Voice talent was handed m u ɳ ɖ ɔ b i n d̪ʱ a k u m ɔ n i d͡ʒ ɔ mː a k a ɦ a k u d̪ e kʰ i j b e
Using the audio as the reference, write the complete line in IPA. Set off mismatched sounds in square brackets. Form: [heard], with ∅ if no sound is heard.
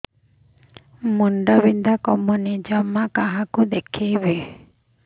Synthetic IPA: m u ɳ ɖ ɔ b i n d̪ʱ a k [ɔ] m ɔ n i d͡ʒ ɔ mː a k a ɦ a k u d̪ e kʰ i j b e